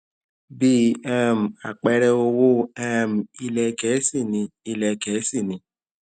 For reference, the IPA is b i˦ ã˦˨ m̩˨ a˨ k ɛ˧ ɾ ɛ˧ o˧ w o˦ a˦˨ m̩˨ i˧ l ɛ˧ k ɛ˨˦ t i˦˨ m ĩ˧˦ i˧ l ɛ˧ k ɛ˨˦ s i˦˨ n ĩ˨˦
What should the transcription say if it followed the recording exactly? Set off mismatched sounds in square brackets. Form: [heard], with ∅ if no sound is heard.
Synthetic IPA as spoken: b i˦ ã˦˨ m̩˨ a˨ [k͡p] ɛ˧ ɾ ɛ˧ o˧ w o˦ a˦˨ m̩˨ i˧ l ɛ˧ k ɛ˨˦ [s] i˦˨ [n] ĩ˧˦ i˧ l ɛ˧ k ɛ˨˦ s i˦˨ n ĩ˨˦